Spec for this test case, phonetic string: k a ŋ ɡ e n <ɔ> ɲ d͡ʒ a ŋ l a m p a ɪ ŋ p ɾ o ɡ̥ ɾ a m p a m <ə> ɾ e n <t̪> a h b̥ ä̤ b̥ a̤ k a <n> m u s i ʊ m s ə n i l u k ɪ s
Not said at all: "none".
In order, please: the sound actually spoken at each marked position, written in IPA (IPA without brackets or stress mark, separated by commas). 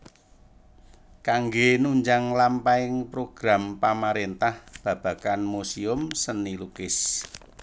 u, a, t̪, n